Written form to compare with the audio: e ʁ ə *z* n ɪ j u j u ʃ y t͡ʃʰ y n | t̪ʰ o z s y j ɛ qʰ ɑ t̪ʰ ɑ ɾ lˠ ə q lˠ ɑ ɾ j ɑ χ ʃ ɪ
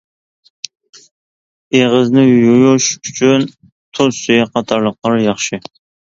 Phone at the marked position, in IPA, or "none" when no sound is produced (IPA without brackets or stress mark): z